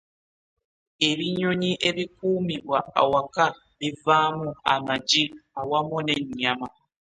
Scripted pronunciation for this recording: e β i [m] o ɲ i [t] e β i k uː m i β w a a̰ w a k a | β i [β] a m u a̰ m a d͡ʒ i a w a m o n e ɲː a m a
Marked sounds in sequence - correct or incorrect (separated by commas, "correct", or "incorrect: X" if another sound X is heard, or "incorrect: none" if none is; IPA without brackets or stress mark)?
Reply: incorrect: ɲ, incorrect: ʔ, incorrect: v